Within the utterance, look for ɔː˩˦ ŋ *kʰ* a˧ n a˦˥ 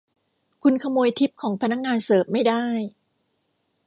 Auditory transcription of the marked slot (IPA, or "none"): pʰ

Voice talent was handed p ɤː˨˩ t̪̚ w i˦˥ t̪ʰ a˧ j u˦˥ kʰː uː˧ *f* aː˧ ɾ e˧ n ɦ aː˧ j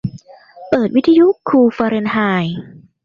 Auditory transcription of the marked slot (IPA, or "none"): f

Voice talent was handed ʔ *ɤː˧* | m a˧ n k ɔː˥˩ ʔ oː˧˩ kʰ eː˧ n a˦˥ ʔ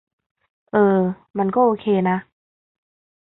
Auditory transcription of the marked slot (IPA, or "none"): ɤː˧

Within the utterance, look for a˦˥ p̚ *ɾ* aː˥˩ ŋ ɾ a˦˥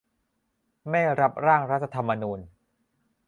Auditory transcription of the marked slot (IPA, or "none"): ɾ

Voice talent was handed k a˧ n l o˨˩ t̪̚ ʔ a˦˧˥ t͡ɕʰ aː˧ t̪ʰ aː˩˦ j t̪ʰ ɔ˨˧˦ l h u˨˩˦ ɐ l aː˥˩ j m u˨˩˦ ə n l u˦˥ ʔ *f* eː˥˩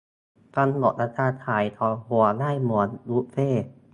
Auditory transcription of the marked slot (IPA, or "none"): f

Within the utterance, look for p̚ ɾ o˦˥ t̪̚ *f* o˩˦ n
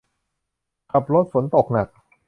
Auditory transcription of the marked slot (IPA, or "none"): f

